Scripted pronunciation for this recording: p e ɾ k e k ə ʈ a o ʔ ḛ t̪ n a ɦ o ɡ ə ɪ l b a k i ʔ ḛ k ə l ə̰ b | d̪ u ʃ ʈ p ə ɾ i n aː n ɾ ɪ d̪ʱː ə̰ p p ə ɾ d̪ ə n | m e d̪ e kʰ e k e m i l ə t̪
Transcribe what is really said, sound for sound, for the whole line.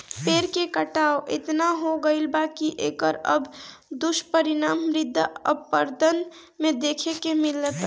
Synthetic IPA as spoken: p e ɾ k e k ə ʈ a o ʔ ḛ t̪ n a ɦ o ɡ ə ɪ l b a k i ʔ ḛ k ə ɾ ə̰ b | d̪ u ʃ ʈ p ə ɾ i n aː m ɾ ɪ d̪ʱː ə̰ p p ə ɾ d̪ ə n | m e d̪ e kʰ e k e m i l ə t̪